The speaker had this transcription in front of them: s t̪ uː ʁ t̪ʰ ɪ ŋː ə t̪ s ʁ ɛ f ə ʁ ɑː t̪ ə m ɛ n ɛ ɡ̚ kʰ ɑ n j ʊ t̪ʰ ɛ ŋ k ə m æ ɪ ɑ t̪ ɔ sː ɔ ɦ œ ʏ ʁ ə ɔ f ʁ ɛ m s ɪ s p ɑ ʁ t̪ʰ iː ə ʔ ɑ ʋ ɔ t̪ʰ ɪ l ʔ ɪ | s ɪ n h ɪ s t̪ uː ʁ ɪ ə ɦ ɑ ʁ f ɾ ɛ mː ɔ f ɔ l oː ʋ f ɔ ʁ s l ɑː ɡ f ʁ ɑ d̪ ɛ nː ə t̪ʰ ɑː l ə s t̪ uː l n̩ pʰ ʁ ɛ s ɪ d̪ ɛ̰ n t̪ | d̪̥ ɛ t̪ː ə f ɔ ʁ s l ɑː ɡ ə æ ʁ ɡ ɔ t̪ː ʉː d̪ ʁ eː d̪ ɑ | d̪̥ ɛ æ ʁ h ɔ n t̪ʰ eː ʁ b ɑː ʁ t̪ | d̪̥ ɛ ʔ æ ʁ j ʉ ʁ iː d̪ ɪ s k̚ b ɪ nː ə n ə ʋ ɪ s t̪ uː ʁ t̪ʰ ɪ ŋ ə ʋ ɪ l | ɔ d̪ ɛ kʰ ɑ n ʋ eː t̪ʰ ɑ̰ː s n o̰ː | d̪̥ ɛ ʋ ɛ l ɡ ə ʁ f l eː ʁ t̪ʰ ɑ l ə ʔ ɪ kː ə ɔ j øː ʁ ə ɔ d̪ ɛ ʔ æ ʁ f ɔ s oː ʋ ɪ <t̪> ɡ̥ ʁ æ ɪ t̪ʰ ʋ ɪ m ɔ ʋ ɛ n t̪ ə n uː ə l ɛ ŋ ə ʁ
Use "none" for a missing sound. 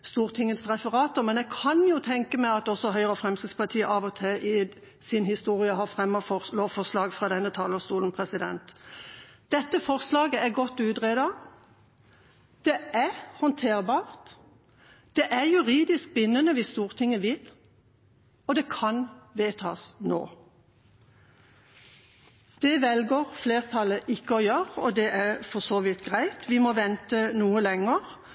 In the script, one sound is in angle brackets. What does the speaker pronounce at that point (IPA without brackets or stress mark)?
t̪